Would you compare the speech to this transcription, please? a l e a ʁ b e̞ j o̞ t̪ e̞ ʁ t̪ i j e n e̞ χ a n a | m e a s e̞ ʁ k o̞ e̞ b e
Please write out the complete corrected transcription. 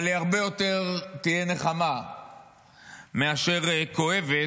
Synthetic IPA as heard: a l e a ʁ b e̞ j o̞ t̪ e̞ ʁ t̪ i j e n e̞ χ a m a | m e a ʃ e̞ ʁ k o̞ e̞ v e